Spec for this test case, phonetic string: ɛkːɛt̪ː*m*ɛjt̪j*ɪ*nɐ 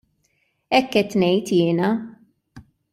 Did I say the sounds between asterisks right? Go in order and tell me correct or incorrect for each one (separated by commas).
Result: incorrect, incorrect